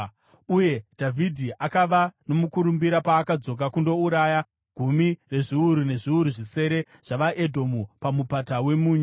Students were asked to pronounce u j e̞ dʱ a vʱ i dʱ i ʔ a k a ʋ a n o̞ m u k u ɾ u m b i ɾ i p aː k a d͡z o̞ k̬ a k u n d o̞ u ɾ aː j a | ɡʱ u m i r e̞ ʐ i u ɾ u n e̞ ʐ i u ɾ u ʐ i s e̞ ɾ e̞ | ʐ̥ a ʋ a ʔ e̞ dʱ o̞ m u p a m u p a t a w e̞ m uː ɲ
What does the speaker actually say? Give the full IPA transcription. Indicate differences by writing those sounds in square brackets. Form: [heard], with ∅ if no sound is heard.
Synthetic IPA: u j e̞ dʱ a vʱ i dʱ i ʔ a k a ʋ a n o̞ m u k u ɾ u m b i ɾ [a] p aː k a d͡z o̞ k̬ a k u n d o̞ u ɾ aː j a | ɡʱ u m i r e̞ ʐ i u ɾ u n e̞ ʐ i u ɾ u ʐ i s e̞ ɾ e̞ | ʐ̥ a ʋ a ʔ e̞ dʱ o̞ m u p a m u p a t a w e̞ m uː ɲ